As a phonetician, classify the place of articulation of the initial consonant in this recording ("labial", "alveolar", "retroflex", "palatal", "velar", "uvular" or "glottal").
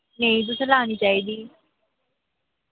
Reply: alveolar